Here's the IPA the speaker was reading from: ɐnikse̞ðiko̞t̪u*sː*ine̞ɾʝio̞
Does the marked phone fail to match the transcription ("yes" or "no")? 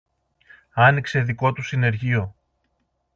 yes